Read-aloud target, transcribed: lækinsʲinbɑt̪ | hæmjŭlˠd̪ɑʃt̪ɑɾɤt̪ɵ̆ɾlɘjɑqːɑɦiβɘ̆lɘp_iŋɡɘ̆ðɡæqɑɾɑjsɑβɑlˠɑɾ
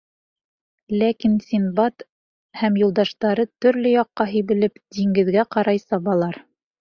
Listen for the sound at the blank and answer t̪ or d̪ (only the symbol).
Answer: d̪